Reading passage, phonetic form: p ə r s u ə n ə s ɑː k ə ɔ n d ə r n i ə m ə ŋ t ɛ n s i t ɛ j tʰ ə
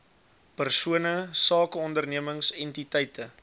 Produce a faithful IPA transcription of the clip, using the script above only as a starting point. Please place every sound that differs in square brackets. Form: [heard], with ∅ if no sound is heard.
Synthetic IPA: p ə r s u ə n ə s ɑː k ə ɔ n d ə r n i ə m ə ŋ [s] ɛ n [t] i t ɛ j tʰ ə